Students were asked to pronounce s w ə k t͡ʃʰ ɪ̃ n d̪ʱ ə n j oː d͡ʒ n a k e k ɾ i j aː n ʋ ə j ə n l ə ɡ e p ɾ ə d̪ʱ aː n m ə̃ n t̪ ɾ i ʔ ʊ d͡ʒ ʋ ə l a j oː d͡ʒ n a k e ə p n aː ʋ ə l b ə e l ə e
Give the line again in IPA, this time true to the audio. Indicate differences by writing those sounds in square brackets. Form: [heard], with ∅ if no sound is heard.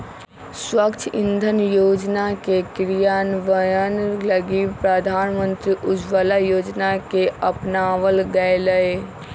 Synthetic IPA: s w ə k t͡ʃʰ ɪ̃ n d̪ʱ ə n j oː d͡ʒ n a k e k ɾ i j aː n ʋ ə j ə n l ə ɡ [i] p ɾ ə d̪ʱ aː n m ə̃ n t̪ ɾ i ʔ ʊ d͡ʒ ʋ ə l a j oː d͡ʒ n a k e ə p n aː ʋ ə l [ɡ] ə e l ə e